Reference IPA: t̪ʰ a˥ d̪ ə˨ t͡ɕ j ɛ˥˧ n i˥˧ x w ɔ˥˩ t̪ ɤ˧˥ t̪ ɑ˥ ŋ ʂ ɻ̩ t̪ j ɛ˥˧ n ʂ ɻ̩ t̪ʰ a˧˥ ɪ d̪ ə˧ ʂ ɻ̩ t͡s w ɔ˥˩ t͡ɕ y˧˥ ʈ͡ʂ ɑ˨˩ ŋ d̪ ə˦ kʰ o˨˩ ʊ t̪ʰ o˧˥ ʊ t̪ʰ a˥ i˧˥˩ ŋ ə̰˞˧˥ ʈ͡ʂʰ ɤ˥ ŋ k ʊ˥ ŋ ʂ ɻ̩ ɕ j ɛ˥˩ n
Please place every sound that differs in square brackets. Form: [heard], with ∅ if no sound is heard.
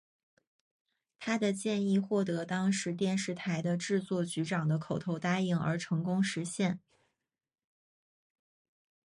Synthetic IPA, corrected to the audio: t̪ʰ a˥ d̪ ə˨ t͡ɕ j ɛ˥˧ n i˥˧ x w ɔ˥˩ t̪ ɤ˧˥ t̪ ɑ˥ ŋ ʂ ɻ̩ t̪ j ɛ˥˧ n ʂ ɻ̩ t̪ʰ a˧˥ ɪ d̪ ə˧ [ʈ͡ʂ] ɻ̩ t͡s w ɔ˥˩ t͡ɕ y˧˥ ʈ͡ʂ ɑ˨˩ ŋ d̪ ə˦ kʰ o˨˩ ʊ t̪ʰ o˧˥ ʊ [t̪] a˥ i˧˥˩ ŋ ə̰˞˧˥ ʈ͡ʂʰ [ɤ˧˥] ŋ k ʊ˥ ŋ ʂ ɻ̩ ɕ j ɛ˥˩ n